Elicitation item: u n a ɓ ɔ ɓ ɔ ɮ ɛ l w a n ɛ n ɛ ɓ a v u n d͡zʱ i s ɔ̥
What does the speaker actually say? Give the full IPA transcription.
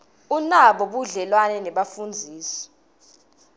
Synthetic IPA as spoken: u n a ɓ ɔ ɓ u ɮ ɛ l w a n ɛ n ɛ ɓ a f u n d͡zʱ iː s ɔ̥